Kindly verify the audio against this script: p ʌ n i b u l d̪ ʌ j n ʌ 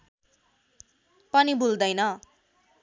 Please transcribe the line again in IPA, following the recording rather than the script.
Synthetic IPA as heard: p ʌ n i b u l d̪ ʌ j n ʌ

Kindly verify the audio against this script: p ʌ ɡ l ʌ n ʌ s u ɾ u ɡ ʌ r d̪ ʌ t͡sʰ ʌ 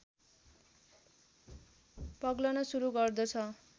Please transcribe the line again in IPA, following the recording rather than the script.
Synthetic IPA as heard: p ʌ ɡ l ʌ n ʌ s u ɾ u ɡ ʌ r d̪ ʌ t͡sʰ ʌ

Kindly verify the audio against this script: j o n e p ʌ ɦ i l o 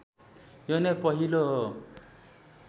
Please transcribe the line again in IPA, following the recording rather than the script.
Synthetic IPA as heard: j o n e p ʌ ɦ i l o

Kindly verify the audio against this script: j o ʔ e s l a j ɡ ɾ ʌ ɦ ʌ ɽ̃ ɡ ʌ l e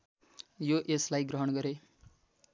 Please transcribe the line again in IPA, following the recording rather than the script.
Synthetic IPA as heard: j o ʔ e s l a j ɡ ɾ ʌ ɦ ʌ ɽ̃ ɡ ʌ ɾ e

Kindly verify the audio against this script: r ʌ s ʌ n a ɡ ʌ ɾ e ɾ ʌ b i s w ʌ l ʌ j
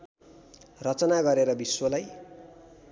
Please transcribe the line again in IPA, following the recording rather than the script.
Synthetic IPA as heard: r ʌ t͡s ʌ n a ɡ ʌ ɾ e ɾ ʌ b i s w ʌ l a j

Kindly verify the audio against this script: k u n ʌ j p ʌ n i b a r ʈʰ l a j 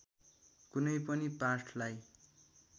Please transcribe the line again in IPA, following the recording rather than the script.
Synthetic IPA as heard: k u n ʌ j p ʌ n i p a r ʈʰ l a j

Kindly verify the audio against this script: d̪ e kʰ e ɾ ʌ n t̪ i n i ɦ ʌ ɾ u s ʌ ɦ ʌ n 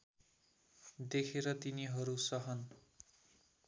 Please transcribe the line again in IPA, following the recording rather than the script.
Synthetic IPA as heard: d̪ e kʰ e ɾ ʌ t̪ i n i ɦ ʌ ɾ u s ʌ ɦ ʌ n

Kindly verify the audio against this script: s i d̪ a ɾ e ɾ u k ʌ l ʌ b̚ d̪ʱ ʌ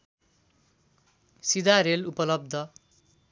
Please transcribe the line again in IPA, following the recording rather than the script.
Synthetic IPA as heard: s i d̪ a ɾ e l u p ʌ l ʌ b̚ d̪ʱ ʌ

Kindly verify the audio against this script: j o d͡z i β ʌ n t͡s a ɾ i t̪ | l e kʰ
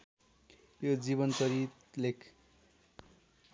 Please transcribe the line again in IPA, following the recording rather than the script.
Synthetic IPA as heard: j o d͡z i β ʌ n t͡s ʌ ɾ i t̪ | l e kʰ

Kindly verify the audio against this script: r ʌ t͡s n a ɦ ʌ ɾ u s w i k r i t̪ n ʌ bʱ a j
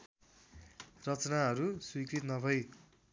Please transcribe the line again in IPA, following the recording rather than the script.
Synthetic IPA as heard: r ʌ t͡s n a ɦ ʌ ɾ u s w i k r i t̪ n ʌ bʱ ʌ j

